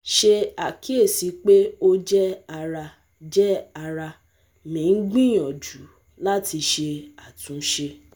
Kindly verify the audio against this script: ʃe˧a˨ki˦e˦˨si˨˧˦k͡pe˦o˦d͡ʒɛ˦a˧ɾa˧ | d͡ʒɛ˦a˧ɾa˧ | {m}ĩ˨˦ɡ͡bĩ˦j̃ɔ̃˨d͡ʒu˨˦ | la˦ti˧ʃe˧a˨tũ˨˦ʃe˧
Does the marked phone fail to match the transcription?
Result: no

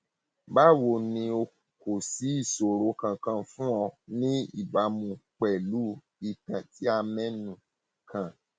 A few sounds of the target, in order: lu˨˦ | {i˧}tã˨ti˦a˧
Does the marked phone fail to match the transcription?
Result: no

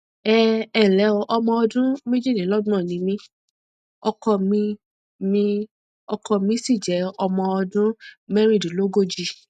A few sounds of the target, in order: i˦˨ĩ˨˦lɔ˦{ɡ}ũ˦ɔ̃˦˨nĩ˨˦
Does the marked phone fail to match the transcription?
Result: yes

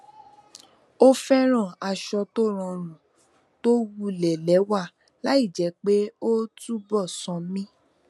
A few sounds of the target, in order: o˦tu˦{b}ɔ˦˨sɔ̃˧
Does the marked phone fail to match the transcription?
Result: no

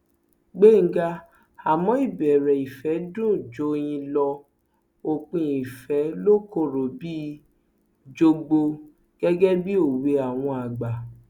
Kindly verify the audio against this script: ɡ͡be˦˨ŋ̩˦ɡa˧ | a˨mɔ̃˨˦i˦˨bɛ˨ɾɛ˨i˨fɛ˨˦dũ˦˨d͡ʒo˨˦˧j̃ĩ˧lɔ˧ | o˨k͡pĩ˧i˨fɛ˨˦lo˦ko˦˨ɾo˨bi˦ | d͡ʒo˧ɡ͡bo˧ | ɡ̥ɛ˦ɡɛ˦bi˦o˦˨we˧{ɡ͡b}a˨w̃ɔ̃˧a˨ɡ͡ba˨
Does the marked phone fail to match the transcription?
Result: yes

